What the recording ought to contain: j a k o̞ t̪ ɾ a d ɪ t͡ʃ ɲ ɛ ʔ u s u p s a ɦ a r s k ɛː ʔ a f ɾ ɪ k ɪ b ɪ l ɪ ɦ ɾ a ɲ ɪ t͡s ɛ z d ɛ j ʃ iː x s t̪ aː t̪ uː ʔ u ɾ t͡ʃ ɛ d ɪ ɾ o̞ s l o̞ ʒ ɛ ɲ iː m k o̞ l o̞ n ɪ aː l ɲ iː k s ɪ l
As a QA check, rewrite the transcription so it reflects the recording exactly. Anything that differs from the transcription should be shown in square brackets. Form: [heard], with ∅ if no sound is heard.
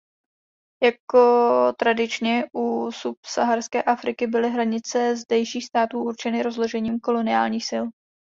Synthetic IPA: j a k o̞ t̪ ɾ a d ɪ t͡ʃ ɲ ɛ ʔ u s u p s a ɦ a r s k ɛː ʔ a f ɾ ɪ k ɪ b ɪ l ɪ ɦ ɾ a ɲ ɪ t͡s ɛ z d ɛ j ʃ iː x s t̪ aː t̪ uː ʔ u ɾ t͡ʃ ɛ [n] ɪ ɾ o̞ [z] l o̞ ʒ ɛ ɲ iː m k o̞ l o̞ n ɪ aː l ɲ iː [x] s ɪ l